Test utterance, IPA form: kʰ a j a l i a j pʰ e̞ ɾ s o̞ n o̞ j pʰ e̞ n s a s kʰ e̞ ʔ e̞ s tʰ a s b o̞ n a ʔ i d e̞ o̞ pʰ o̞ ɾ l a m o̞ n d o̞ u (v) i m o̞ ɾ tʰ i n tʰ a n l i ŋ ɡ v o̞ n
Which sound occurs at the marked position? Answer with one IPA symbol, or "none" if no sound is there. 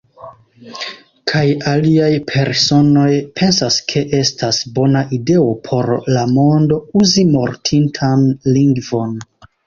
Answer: z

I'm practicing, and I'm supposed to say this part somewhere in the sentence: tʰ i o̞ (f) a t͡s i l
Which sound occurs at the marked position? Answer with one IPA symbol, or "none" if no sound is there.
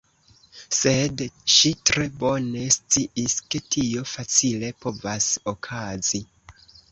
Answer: f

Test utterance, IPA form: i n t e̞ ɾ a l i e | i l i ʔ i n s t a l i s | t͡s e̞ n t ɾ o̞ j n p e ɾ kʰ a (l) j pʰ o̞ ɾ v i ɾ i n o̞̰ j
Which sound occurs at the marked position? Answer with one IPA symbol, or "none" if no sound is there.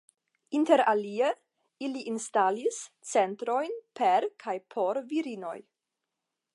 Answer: none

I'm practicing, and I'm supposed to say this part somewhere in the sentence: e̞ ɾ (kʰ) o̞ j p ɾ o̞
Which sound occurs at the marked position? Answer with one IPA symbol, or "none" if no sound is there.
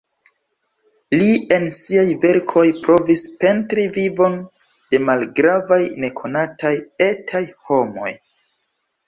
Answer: kʰ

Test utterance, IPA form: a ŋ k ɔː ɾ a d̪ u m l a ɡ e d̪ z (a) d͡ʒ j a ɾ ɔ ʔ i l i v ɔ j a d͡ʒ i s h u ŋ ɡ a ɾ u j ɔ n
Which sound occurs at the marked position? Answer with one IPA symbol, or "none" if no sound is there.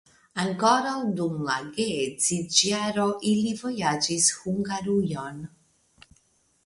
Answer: i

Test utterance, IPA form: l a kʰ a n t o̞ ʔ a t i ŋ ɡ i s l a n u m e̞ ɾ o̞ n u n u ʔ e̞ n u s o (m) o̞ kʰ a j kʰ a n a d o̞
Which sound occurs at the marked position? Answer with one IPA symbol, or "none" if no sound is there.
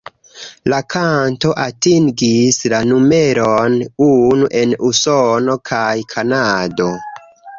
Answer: n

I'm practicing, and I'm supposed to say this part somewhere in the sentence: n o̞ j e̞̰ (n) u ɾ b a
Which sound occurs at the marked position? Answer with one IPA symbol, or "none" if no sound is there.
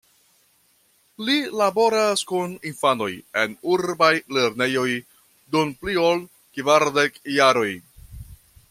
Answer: n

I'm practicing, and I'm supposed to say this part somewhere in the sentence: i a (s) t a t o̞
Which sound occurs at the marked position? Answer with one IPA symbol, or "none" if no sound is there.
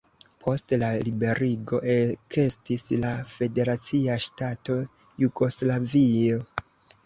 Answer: ʃ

